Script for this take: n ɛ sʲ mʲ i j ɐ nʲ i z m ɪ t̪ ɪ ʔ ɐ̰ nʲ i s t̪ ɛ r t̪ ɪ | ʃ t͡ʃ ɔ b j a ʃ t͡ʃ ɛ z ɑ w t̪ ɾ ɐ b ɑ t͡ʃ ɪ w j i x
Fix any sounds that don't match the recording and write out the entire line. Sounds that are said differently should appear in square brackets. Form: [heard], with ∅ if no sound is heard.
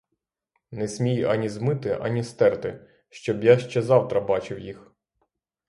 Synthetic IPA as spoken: n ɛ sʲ mʲ i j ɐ nʲ i z m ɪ t̪ ɪ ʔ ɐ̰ nʲ i s t̪ ɛ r t̪ ɪ | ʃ t͡ʃ ɔ b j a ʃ t͡ʃ ɛ z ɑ w t̪ ɾ ɐ b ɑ t͡ʃ ɪ w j i x